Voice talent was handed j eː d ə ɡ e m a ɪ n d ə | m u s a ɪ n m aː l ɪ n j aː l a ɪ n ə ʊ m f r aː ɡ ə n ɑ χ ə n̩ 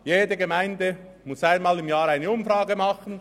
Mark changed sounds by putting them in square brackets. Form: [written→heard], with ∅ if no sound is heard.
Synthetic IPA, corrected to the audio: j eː d ə ɡ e m a ɪ n d ə | m [u→ʊ] s a ɪ n m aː l ɪ [n→m] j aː [l→ɾ] a ɪ n ə ʊ m f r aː ɡ ə [n→m] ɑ χ ə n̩